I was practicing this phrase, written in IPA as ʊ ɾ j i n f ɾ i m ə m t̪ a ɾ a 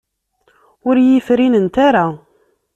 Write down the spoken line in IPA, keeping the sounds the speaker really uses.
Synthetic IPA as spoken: ʊ ɾ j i f ɾ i n ə n t̪ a ɾ a